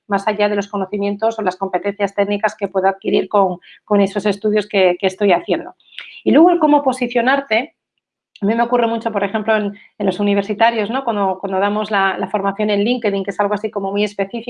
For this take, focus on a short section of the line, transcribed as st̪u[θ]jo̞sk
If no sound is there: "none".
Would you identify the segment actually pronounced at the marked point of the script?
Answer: ð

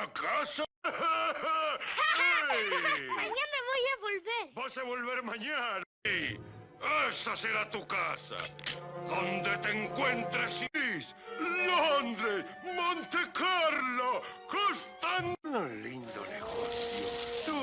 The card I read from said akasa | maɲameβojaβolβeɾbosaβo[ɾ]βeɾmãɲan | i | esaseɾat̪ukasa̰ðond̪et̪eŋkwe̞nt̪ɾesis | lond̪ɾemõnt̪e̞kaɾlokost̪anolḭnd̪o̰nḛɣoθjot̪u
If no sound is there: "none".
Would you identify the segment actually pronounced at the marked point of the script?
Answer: l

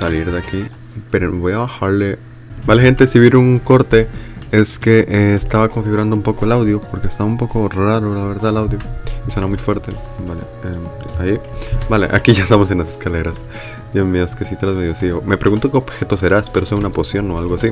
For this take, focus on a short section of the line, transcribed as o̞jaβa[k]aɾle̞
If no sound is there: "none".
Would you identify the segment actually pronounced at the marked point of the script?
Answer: x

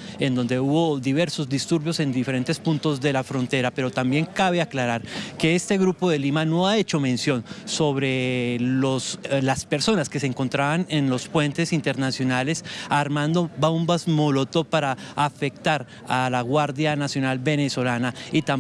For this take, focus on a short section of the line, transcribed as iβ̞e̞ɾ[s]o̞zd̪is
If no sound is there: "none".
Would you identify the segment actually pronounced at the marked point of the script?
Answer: s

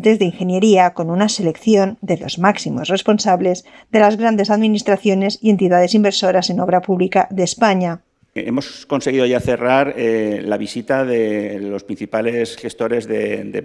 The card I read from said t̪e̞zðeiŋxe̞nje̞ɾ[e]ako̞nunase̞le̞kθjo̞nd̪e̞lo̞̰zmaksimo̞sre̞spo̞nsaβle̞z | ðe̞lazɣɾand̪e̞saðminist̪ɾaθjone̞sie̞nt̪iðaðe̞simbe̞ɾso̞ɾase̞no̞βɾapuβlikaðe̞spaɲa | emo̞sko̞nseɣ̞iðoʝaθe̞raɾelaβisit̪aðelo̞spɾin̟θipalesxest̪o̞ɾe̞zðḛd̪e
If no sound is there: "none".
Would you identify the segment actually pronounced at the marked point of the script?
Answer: i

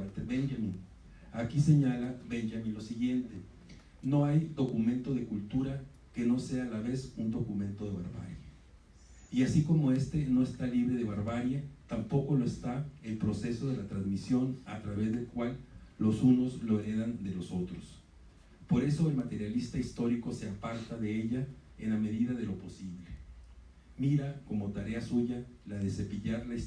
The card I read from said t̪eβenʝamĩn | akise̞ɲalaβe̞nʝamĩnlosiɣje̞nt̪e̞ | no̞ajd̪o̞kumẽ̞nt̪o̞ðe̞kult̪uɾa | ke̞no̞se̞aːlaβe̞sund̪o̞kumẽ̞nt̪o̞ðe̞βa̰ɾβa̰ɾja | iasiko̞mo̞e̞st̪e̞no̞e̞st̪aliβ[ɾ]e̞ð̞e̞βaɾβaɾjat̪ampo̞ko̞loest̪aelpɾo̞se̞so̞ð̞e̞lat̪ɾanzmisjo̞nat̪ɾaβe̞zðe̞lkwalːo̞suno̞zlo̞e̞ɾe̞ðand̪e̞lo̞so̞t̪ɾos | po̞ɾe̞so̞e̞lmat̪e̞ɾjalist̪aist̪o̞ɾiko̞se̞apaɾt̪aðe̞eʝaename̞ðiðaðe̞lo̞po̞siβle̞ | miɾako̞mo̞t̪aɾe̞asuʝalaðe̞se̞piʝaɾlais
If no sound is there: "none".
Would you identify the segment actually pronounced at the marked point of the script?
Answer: ɾ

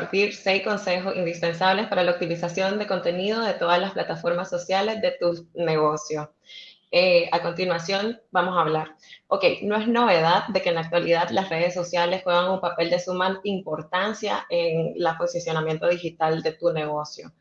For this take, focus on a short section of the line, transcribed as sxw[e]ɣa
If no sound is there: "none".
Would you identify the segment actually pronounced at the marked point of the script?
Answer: e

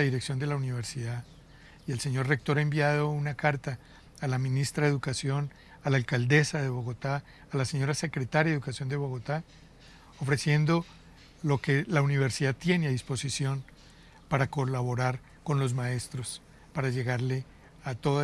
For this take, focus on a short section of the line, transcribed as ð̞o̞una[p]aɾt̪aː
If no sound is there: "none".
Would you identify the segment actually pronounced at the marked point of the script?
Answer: k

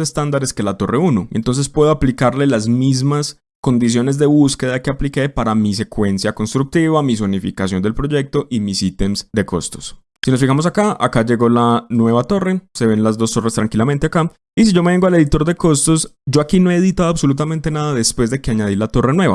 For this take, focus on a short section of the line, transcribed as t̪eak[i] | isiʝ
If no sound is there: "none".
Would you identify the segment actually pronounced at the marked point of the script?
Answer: a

